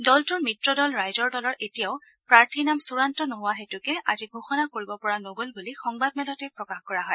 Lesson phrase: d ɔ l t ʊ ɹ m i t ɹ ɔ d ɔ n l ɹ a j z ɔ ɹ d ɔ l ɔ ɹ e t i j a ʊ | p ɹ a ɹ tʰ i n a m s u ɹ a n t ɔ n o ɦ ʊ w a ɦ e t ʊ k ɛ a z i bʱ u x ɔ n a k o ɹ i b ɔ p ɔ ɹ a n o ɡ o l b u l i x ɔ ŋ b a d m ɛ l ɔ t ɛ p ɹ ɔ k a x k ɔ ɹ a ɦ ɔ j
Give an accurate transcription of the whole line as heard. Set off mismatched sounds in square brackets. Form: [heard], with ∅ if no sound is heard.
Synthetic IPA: d ɔ l t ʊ ɹ m i t ɹ ɔ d ɔ [∅] l ɹ a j z ɔ ɹ d ɔ l ɔ ɹ e t i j a ʊ | p ɹ a ɹ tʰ i n a m s u ɹ a n t ɔ n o ɦ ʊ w a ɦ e t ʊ k ɛ a z i [ɡʱ] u x ɔ n a k o ɹ i b ɔ p ɔ ɹ a n o ɡ o l b u l i x ɔ ŋ b a d m ɛ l ɔ t ɛ p ɹ ɔ k a x k ɔ ɹ a ɦ ɔ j

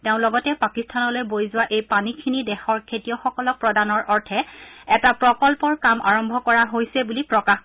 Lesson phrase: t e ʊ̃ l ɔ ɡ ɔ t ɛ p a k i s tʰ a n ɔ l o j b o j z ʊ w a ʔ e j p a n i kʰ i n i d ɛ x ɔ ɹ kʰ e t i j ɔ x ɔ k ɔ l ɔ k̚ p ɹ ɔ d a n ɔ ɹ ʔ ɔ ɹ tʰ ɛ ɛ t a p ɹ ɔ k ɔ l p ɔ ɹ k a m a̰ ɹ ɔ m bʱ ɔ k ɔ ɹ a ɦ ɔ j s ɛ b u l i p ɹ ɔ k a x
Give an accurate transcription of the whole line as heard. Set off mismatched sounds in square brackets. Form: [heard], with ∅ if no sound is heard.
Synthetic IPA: t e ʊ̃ l ɔ ɡ ɔ t ɛ p a k i s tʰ a n ɔ l o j b o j z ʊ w a ʔ e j p a n i kʰ i n i d ɛ x ɔ ɹ kʰ e t i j ɔ x ɔ k ɔ l ɔ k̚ p ɹ ɔ d a n ɔ ɹ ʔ ɔ ɹ tʰ ɛ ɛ t a p ɹ ɔ k ɔ l p ɔ ɹ k a m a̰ ɹ ɔ m bʱ ɔ k ɔ ɹ a ɦ [o] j s ɛ b u l i p ɹ ɔ k a x

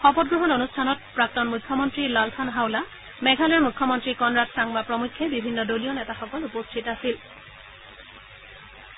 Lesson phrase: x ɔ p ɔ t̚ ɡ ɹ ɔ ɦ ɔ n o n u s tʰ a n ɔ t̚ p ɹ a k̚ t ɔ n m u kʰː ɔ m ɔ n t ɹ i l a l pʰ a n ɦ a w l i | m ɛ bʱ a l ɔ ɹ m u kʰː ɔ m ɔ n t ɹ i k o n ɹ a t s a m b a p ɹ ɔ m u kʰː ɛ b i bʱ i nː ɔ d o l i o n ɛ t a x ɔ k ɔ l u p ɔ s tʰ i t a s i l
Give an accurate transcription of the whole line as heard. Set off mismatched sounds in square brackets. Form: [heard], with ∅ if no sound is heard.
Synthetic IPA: x ɔ p ɔ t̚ ɡ ɹ ɔ ɦ ɔ n o n u s tʰ a n ɔ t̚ p ɹ a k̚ t ɔ n m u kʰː ɔ m ɔ n t ɹ i l a l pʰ a n ɦ a w l [a] | m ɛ [ɡʱ] a l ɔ ɹ m u kʰː ɔ m ɔ n t ɹ i k [ɔ] n ɹ a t s a [ŋ] b a p ɹ ɔ m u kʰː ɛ b i bʱ i nː ɔ d o l i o n ɛ t a x ɔ k ɔ l u p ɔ s tʰ i t a s i l

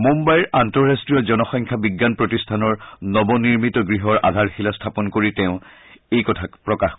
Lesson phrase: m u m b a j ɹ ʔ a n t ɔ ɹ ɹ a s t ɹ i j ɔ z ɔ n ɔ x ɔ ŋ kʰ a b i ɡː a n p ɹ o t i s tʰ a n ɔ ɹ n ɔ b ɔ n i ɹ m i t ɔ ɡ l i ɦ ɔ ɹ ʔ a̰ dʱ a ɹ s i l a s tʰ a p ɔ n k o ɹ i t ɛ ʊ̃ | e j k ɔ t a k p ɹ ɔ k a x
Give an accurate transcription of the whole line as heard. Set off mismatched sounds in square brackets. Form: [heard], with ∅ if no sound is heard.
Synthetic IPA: m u m b a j ɹ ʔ a n t ɔ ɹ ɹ a s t ɹ i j ɔ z ɔ n ɔ x ɔ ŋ kʰ a b i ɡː a n p ɹ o t i s tʰ a n ɔ ɹ n ɔ b ɔ n i ɹ m i t ɔ ɡ [ɹ] i ɦ ɔ ɹ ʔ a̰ dʱ a ɹ [x] i l a s tʰ a p ɔ n k o ɹ i t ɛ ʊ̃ | e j k ɔ [tʰ] a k p ɹ ɔ k a x

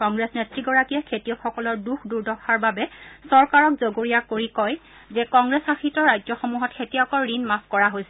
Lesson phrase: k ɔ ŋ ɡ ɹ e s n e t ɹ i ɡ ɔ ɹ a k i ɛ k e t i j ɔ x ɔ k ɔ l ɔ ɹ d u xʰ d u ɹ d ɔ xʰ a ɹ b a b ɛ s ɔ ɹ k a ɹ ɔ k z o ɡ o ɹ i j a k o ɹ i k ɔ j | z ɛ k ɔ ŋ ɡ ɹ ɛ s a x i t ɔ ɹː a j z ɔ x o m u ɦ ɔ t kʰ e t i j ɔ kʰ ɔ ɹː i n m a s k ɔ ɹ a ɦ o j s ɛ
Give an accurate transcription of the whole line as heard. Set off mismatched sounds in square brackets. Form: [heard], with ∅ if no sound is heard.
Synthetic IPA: k ɔ ŋ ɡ ɹ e s n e t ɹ i ɡ ɔ ɹ a k i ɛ [kʰ] e t i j ɔ x ɔ k ɔ l ɔ ɹ d u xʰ d u ɹ d ɔ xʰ a ɹ b a b ɛ s ɔ ɹ k a ɹ ɔ k z o ɡ o ɹ i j a k o ɹ i k ɔ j | z ɛ k ɔ ŋ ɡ ɹ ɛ s a x i t ɔ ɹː a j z ɔ x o m u ɦ ɔ t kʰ e t i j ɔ [k] ɔ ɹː i n m a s k ɔ ɹ a ɦ o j s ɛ

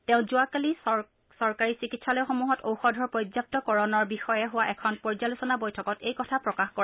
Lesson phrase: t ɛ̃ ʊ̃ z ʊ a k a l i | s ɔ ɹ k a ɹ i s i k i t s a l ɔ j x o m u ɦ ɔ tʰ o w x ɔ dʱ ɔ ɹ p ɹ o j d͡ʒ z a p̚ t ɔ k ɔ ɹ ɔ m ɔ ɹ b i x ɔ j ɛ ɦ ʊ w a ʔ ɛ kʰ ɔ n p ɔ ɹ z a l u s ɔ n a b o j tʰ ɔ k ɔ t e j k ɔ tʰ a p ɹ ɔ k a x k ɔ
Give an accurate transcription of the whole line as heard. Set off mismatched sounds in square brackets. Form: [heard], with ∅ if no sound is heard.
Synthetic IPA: t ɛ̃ ʊ̃ z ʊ a k a l i | s ɔ ɹ k a ɹ i s i k i t s a l ɔ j x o m u ɦ ɔ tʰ o w x ɔ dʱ ɔ ɹ p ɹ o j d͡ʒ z a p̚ t ɔ k ɔ ɹ ɔ [n] ɔ ɹ b i x ɔ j ɛ ɦ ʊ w a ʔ ɛ kʰ ɔ n p ɔ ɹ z a l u s ɔ n a b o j tʰ ɔ k ɔ t e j k ɔ tʰ a p ɹ ɔ k a x k ɔ

